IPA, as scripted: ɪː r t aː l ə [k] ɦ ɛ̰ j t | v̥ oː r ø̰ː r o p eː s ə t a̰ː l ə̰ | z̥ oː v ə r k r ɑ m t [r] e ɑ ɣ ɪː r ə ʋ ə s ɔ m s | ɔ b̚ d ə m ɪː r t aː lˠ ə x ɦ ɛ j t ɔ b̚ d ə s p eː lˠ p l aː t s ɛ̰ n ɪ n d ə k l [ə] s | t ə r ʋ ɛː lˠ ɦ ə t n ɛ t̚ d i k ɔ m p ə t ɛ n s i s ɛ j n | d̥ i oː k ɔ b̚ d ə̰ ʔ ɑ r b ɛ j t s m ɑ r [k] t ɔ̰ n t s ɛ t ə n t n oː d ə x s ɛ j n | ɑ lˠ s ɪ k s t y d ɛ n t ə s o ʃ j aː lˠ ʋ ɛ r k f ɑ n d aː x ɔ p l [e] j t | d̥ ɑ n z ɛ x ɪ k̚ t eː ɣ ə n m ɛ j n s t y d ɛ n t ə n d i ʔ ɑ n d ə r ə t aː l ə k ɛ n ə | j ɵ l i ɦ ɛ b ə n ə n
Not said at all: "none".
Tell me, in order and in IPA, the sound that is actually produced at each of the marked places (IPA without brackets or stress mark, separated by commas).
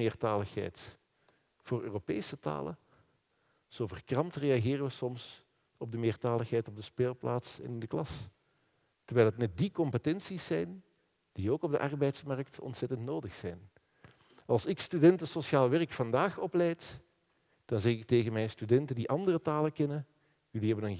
x, r, ɑ, k, ɛ